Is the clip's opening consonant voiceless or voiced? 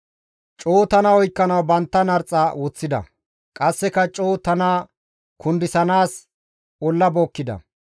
voiceless